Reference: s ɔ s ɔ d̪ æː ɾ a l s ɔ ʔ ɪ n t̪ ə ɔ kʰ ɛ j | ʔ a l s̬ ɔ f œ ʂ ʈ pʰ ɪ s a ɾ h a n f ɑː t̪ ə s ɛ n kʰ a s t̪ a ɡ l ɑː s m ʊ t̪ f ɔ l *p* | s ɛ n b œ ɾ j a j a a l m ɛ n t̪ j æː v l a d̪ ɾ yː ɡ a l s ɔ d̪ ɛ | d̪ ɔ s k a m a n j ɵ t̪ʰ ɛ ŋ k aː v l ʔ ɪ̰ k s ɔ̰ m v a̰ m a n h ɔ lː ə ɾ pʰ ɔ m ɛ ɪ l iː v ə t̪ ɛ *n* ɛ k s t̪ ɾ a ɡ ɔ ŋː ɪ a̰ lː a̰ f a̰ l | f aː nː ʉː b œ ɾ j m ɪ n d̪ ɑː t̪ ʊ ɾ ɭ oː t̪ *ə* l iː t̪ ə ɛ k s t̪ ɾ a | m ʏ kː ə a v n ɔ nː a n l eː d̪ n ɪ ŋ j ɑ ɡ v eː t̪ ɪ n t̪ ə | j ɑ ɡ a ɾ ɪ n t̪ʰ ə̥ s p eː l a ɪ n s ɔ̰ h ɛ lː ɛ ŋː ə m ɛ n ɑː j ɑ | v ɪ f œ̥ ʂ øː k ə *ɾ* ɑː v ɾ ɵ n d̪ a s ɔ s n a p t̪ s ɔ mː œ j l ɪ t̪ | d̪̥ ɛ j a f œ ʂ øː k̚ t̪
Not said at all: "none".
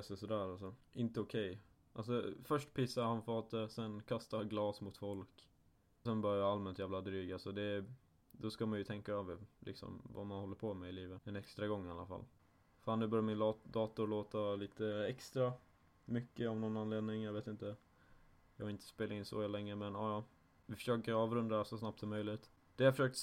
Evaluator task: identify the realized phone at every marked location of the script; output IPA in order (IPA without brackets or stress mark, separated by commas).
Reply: k, n, a, ɾ